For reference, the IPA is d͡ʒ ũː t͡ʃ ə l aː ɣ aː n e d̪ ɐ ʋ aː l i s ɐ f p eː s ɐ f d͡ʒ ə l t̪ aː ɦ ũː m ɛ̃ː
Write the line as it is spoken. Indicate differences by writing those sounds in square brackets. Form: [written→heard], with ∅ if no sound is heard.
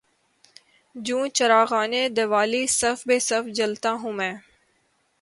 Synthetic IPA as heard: d͡ʒ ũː t͡ʃ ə [l→ɾ] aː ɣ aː n e d̪ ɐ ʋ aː l i s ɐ f [p→b] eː s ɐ f d͡ʒ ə l t̪ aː ɦ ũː m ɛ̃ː